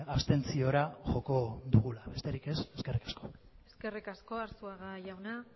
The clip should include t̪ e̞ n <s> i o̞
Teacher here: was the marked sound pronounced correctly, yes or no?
no